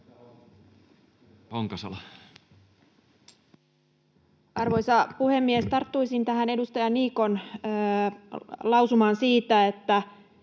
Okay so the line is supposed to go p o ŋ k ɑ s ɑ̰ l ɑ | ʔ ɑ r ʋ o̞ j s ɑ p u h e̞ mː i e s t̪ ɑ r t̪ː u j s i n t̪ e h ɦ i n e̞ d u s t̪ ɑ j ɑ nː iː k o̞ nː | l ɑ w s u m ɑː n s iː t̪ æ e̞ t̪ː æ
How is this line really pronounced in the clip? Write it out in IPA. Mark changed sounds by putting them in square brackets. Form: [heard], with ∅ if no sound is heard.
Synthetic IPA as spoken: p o ŋ k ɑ s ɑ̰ l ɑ | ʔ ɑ r ʋ o̞ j s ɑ p u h e̞ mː i e s t̪ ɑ r t̪ː u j s i n t̪ [æ] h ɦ [æ] n e̞ d u s t̪ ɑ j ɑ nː iː k o̞ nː | l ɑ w s u m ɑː n s iː t̪ æ e̞ t̪ː æ